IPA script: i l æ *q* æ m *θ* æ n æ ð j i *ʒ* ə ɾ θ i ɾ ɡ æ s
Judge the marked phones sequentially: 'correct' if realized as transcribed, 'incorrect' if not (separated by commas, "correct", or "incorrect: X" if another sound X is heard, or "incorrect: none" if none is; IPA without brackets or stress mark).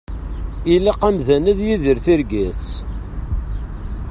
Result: correct, incorrect: ð, incorrect: ð